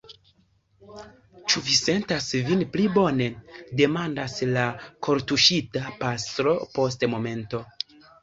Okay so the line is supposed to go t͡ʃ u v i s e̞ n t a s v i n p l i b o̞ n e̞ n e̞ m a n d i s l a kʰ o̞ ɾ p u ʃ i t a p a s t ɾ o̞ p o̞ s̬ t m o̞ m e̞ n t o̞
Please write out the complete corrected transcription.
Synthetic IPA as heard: t͡ʃ u v i s e̞ n t a s v i n p l i b o̞ n e̞ d e̞ m a n d a s l a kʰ o̞ ɾ t u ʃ i t a p a s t ɾ o̞ p o̞ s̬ t m o̞ m e̞ n t o̞